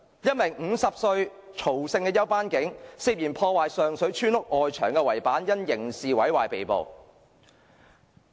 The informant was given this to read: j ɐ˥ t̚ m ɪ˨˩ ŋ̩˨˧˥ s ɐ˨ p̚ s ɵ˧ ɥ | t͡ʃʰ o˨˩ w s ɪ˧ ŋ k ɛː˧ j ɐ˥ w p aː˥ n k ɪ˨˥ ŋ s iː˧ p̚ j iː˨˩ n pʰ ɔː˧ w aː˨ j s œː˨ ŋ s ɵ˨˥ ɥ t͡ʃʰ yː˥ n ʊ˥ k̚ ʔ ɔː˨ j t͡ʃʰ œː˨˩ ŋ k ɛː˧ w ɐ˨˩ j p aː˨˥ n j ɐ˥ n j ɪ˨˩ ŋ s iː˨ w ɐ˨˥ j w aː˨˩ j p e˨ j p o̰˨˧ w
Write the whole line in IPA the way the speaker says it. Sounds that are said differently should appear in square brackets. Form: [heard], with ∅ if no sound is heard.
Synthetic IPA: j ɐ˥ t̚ m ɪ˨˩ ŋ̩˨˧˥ s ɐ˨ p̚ s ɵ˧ ɥ | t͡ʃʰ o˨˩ w s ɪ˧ ŋ k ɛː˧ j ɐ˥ w p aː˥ n k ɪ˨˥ ŋ s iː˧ p̚ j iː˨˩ n pʰ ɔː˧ w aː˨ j s œː˨ ŋ s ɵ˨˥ ɥ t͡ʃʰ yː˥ n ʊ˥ k̚ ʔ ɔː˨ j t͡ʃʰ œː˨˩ ŋ k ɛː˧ w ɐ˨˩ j p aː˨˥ n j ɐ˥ n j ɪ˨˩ ŋ s iː˨ w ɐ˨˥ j w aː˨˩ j p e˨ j p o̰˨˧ w

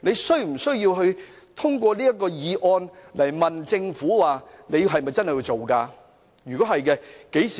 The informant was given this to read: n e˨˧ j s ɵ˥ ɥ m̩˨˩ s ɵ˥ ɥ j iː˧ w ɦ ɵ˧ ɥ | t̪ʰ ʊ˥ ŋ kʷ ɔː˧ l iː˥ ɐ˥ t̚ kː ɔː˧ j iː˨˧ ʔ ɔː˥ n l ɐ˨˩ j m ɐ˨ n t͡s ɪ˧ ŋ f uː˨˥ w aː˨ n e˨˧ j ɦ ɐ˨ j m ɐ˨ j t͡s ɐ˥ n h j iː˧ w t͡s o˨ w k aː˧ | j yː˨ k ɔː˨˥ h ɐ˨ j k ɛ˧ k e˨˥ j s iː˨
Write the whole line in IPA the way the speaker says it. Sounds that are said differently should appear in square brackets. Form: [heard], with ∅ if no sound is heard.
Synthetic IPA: n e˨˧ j s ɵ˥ ɥ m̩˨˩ s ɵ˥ ɥ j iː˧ w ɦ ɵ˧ ɥ | t̪ʰ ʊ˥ ŋ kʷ ɔː˧ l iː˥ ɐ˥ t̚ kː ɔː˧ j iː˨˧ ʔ [ɔː˧] n l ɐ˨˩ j m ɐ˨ n t͡s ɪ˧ ŋ f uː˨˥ w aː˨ n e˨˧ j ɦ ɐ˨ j m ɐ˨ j t͡s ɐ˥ n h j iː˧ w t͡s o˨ w k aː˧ | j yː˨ k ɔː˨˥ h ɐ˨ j k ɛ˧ k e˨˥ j s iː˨

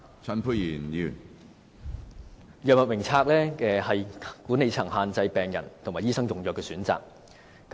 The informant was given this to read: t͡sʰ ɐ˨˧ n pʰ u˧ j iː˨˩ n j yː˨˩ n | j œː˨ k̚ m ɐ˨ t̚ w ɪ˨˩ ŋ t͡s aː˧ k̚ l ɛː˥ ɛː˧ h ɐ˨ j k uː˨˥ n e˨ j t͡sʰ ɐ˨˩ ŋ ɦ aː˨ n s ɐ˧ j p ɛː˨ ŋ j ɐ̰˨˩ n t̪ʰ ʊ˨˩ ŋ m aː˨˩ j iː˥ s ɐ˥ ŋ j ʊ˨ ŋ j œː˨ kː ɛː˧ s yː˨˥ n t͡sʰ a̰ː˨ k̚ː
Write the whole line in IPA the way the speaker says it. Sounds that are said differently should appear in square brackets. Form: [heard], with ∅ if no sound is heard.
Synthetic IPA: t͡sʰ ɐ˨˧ n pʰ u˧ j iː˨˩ n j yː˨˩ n | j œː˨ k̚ m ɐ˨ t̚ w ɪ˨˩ ŋ [t͡sʰ] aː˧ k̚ l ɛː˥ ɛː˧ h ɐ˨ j k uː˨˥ n e˨ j t͡sʰ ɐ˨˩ ŋ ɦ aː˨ n [t͡s] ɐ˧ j p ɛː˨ ŋ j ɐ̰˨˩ n t̪ʰ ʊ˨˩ ŋ m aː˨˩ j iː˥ s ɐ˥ ŋ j ʊ˨ ŋ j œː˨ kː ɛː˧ s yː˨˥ n [t͡s] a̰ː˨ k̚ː

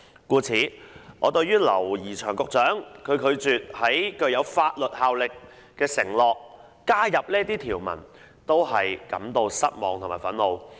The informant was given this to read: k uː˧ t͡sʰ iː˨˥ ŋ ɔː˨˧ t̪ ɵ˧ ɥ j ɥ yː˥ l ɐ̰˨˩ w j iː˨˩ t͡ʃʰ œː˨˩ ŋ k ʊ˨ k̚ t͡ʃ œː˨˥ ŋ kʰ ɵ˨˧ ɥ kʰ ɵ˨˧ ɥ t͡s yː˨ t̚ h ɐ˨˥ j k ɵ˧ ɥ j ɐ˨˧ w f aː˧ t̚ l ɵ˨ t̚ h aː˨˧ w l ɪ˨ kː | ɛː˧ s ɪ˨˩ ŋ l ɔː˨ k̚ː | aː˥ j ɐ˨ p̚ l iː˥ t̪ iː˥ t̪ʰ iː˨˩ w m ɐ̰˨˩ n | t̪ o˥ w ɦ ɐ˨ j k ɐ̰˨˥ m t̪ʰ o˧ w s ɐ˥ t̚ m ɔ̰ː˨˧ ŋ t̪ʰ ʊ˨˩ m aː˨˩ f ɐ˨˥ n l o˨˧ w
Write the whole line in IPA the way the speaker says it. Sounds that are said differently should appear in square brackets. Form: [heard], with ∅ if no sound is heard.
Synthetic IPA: k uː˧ t͡sʰ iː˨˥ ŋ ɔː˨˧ t̪ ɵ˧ ɥ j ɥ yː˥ l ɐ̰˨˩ w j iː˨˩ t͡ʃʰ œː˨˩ ŋ k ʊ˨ k̚ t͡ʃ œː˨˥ ŋ kʰ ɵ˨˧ ɥ kʰ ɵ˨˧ ɥ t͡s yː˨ t̚ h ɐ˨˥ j k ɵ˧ ɥ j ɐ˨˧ w f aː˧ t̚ l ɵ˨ t̚ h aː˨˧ w l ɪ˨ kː | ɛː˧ s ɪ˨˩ ŋ l ɔː˨ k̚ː | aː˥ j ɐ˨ p̚ l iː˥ t̪ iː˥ t̪ʰ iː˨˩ w m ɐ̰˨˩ n | t̪ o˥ w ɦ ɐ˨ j k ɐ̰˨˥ m [t̪] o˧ w s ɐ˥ t̚ m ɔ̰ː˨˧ ŋ t̪ʰ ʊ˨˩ m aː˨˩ f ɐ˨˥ n l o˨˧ w

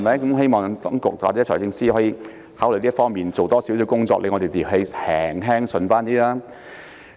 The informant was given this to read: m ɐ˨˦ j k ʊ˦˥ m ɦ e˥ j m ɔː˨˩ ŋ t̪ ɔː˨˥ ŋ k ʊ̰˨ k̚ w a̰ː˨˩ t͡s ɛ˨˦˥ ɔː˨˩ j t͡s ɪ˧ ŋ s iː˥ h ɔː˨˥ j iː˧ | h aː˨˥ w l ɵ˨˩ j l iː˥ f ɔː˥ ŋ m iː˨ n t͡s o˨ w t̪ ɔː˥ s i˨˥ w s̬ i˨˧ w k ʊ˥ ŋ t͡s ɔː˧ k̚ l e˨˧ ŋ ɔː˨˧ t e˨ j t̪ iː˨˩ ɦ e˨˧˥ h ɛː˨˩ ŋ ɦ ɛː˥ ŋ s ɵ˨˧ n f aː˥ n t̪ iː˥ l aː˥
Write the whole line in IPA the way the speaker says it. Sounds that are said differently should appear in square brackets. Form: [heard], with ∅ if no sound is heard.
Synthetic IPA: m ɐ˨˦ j k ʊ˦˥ m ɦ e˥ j m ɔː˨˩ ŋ t̪ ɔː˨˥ ŋ k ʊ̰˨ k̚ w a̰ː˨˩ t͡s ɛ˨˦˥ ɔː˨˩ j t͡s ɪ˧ ŋ s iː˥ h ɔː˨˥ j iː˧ | h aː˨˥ w l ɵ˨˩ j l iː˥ f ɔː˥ ŋ m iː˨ n t͡s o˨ w t̪ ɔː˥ s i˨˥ w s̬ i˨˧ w k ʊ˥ ŋ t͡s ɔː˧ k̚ l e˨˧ ŋ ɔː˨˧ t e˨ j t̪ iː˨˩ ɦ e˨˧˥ h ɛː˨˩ ŋ ɦ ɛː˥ ŋ s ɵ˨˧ n f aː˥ n t̪ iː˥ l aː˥

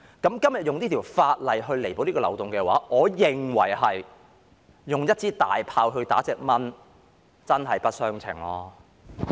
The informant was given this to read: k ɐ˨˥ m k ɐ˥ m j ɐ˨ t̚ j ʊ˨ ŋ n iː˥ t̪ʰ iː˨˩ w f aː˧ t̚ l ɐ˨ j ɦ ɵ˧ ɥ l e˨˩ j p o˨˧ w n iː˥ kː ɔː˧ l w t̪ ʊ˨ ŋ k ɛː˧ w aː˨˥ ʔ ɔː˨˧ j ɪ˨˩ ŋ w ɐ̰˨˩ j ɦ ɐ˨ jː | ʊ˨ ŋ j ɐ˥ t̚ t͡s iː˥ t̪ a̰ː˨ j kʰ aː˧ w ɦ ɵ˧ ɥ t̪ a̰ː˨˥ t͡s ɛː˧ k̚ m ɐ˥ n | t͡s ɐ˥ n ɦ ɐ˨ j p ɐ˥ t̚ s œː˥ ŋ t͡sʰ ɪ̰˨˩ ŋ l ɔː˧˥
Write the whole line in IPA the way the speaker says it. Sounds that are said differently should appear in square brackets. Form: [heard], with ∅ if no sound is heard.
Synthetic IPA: k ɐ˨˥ m k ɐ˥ m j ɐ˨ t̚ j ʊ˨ ŋ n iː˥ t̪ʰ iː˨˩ w f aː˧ t̚ l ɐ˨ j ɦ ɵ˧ ɥ l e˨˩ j p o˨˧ w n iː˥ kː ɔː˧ l w t̪ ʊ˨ ŋ k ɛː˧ w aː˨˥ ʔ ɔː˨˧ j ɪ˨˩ ŋ w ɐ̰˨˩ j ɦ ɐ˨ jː | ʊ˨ ŋ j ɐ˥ t̚ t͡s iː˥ t̪ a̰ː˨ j [pʰ] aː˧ w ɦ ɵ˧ ɥ t̪ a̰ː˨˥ t͡s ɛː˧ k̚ m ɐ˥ n | t͡s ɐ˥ n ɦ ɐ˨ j p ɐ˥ t̚ s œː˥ ŋ t͡sʰ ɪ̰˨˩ ŋ l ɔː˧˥

